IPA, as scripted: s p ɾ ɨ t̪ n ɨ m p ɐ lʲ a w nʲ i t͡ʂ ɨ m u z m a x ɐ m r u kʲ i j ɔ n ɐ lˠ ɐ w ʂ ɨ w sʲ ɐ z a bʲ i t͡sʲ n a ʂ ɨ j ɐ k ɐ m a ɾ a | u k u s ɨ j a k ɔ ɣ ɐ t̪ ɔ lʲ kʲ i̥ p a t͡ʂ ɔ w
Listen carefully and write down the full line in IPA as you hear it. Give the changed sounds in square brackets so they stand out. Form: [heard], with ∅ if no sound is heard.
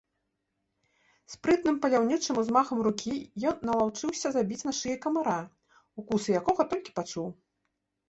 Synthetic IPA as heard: s p ɾ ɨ t̪ n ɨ m p ɐ lʲ a w nʲ i t͡ʂ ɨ m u z m a x ɐ m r u kʲ i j ɔ [nː] ɐ lˠ [a] w [t͡ʂ] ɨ w sʲ ɐ z a bʲ i t͡sʲ n a ʂ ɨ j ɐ k ɐ m a ɾ a | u k u s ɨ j a k ɔ ɣ ɐ t̪ ɔ lʲ kʲ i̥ p a t͡ʂ [u] w